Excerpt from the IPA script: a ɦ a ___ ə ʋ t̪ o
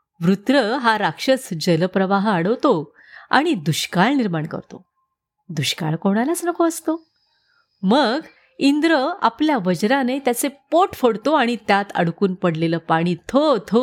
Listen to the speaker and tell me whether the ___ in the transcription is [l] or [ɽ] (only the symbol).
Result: ɽ